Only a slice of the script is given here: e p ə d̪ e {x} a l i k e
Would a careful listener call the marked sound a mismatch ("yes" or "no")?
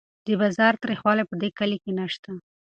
yes